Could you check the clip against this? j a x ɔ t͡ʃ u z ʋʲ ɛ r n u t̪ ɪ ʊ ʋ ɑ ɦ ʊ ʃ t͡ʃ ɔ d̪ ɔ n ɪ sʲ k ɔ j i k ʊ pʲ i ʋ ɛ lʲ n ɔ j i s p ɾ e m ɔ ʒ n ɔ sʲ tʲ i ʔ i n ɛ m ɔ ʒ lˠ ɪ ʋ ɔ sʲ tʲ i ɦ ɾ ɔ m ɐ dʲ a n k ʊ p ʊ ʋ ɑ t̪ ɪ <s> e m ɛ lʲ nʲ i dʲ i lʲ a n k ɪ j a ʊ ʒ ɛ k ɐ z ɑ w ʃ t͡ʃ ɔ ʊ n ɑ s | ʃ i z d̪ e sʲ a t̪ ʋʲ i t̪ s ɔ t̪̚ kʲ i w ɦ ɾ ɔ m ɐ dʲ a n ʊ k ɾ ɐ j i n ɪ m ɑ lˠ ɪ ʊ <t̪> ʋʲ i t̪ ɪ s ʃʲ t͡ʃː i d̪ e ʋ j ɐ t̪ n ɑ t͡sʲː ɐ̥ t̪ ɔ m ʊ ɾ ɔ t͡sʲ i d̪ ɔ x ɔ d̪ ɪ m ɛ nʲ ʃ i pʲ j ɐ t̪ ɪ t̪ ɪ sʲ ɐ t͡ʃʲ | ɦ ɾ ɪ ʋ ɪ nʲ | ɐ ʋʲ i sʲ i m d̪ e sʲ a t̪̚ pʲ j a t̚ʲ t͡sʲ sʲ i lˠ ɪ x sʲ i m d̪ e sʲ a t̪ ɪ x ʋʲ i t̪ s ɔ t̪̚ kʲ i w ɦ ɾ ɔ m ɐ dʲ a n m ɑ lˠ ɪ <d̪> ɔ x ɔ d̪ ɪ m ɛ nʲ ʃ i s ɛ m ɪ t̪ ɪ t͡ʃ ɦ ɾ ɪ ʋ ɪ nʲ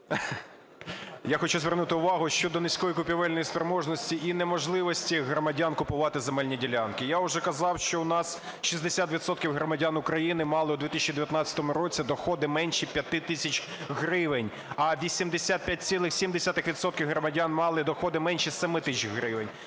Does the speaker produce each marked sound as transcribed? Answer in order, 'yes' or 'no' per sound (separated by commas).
no, no, yes